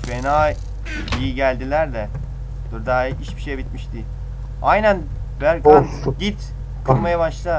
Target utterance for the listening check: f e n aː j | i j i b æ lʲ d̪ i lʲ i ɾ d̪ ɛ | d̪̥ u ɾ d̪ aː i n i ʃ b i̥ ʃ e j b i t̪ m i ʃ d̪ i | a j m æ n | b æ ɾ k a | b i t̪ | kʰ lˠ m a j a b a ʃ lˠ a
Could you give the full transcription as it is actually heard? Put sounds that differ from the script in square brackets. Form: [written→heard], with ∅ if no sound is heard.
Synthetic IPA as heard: f e n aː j | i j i [b→ɟ] æ lʲ d̪ i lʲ [i→æ] ɾ d̪ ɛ | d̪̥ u ɾ d̪ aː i [n→∅] i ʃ b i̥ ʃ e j b i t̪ m i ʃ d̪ i | a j [m→n] æ n | b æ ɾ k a | [b→ɟ] i t̪ | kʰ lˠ m a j a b a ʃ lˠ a